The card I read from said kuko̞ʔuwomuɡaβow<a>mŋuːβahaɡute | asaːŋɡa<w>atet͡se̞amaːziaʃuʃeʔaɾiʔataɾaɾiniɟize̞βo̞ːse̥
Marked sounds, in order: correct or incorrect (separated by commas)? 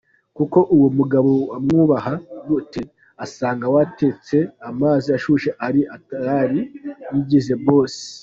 correct, correct